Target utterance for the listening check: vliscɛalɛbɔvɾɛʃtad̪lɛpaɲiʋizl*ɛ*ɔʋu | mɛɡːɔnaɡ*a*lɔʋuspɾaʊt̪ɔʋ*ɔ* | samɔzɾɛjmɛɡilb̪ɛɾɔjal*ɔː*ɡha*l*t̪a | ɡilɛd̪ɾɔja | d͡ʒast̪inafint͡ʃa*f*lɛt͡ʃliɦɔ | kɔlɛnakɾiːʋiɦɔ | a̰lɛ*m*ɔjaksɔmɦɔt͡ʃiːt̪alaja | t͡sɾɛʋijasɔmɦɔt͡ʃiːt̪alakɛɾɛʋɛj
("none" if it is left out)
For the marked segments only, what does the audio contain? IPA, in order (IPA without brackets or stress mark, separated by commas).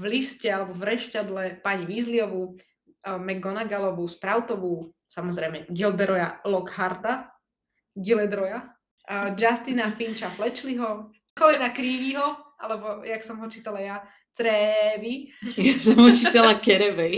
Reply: i, a, u, ɔ, ɾ, f, b